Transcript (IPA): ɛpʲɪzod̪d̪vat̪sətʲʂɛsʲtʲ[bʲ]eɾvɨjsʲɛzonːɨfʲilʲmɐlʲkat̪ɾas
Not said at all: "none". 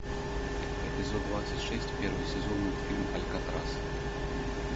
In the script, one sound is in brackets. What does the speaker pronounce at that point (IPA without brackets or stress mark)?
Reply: pʲ